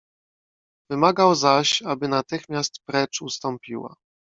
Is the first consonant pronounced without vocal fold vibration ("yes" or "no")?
no